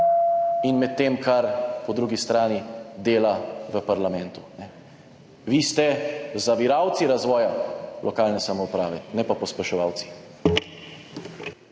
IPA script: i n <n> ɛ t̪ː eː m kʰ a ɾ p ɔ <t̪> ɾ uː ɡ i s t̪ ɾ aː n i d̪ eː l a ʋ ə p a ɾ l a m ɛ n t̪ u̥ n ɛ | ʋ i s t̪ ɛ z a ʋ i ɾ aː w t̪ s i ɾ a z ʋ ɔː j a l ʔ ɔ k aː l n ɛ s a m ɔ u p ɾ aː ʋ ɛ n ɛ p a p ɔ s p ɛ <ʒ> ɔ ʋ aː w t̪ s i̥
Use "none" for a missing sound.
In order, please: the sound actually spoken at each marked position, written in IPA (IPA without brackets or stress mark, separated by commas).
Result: m, d̪, ʃ